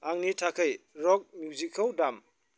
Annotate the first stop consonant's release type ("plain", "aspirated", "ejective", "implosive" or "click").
aspirated